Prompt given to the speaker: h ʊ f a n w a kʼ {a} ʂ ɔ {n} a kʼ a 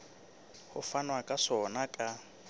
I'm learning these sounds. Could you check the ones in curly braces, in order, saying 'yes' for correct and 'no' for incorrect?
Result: yes, yes

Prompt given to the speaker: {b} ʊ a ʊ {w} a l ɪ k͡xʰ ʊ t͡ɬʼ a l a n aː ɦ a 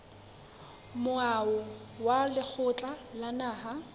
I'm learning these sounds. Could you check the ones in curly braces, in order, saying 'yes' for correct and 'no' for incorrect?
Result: no, yes

